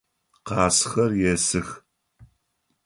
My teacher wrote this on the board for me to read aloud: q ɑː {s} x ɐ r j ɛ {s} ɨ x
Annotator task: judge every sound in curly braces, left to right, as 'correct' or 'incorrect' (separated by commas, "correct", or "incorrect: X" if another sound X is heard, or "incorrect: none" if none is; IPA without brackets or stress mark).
correct, correct